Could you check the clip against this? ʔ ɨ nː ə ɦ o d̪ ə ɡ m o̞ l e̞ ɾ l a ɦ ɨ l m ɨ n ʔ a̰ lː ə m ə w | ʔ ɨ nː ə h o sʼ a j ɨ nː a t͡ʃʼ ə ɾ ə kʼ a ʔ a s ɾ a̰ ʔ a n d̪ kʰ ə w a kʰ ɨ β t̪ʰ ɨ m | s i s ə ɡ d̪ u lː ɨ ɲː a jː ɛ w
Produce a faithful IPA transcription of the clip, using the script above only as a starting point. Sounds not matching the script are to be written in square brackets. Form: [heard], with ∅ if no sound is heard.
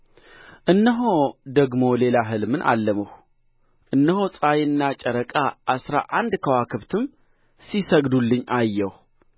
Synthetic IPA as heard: ʔ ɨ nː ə ɦ o d̪ ə ɡ m o̞ l e̞ [∅] l a ɦ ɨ l m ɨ n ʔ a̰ lː ə m ə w | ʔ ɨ nː ə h o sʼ a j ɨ nː a t͡ʃʼ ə ɾ ə kʼ a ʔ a s ɾ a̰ ʔ a n d̪ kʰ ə w a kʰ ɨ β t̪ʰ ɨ m | s i s ə ɡ d̪ u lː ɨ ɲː a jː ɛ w